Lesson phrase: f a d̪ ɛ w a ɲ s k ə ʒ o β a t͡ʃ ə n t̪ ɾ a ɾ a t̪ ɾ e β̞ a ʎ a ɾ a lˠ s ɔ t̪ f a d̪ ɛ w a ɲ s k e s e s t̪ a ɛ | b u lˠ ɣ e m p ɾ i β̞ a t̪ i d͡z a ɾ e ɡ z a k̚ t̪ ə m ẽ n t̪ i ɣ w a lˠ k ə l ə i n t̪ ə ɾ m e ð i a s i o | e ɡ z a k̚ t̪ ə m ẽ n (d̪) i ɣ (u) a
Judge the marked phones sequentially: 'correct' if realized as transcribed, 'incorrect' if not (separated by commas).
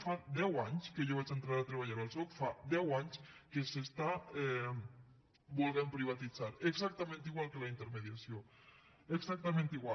incorrect, incorrect